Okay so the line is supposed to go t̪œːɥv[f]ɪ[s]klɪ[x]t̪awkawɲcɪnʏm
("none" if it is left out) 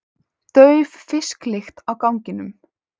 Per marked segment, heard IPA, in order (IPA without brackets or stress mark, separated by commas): f, s, x